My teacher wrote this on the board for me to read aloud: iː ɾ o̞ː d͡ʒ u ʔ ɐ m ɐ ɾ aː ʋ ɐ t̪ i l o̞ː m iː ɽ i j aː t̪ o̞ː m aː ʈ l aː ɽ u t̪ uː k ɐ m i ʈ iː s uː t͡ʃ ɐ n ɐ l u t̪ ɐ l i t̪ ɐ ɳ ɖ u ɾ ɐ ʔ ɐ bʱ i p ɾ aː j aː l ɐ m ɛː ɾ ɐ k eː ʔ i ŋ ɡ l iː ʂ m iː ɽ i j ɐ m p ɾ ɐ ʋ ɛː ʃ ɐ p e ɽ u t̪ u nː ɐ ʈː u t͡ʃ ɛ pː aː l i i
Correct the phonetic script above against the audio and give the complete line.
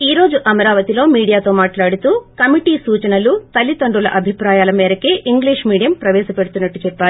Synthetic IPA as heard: iː ɾ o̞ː d͡ʒ u ʔ ɐ m ɐ ɾ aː ʋ ɐ t̪ i l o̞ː m iː ɽ i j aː t̪ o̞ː m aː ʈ l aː ɽ u t̪ uː k ɐ m i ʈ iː s uː t͡ʃ ɐ n ɐ l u t̪ ɐ l i t̪ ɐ ɳ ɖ u l ɐ ʔ ɐ bʱ i p ɾ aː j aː l ɐ m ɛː ɾ ɐ k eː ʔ i ŋ ɡ l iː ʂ m iː ɽ i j ɐ m p ɾ ɐ ʋ ɛː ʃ ɐ p e ɽ u t̪ u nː ɐ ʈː u t͡ʃ ɛ pː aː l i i